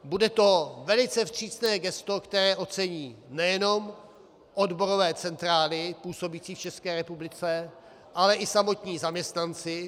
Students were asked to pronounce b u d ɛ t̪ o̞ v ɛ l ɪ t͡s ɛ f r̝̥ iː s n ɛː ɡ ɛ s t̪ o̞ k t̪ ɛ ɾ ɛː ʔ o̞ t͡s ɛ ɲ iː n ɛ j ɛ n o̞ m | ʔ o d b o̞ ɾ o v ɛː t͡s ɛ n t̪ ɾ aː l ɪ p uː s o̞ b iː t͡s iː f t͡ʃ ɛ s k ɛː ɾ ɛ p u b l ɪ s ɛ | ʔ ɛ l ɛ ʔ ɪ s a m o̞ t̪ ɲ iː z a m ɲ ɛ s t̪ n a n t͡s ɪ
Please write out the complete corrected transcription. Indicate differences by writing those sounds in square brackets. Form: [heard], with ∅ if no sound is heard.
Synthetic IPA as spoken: b u d ɛ t̪ o̞ v ɛ l ɪ t͡s ɛ f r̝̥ iː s n ɛː ɡ ɛ s t̪ o̞ k t̪ ɛ ɾ ɛː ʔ o̞ t͡s ɛ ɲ iː n ɛ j ɛ n o̞ m | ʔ o d b o̞ ɾ o v ɛː t͡s ɛ n t̪ ɾ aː l ɪ p uː s o̞ b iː t͡s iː f t͡ʃ ɛ s k ɛː ɾ ɛ p u b l ɪ [t͡s] ɛ | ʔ [a] l ɛ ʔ ɪ s a m o̞ t̪ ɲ iː z a m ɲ ɛ s t̪ n a n t͡s ɪ